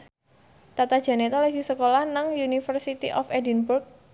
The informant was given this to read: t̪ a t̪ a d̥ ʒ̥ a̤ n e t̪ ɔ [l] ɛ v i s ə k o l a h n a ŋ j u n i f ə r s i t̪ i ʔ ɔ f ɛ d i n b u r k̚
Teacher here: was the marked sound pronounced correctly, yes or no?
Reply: yes